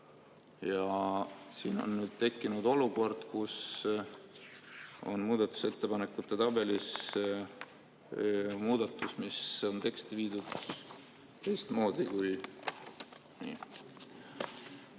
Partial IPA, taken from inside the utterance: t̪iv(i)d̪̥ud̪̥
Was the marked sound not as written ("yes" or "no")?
yes